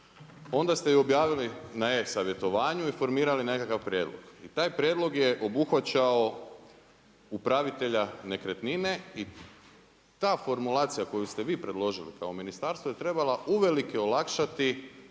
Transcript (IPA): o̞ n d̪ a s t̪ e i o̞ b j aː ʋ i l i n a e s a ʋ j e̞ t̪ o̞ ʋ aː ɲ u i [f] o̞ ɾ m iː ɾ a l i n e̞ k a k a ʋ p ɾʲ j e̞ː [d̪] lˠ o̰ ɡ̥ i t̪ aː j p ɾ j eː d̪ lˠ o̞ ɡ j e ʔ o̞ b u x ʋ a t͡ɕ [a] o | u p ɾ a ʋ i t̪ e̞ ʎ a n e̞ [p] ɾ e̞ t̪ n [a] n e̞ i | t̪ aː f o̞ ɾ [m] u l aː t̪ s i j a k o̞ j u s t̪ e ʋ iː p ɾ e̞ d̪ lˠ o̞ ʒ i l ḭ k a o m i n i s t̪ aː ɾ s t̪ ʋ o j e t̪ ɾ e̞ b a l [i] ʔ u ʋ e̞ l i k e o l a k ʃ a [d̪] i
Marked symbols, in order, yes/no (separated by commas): yes, yes, yes, no, no, yes, no, no